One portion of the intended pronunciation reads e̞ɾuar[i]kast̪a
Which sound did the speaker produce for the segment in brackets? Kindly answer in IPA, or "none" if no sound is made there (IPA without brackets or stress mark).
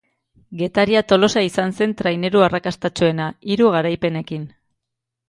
a